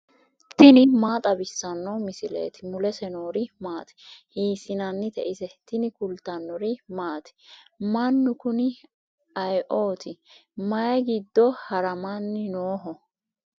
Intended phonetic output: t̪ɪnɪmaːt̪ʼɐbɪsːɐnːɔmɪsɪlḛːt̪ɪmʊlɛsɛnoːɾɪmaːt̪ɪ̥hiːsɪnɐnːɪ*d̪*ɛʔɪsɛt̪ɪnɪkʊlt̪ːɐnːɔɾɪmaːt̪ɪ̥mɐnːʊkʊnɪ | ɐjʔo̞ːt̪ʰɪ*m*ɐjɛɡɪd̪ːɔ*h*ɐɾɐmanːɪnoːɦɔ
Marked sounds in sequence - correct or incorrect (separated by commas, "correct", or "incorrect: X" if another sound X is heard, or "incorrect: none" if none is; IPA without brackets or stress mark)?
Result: incorrect: t̪, correct, correct